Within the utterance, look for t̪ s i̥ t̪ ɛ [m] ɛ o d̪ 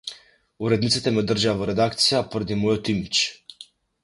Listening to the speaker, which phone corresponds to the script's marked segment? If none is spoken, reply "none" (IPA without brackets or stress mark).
m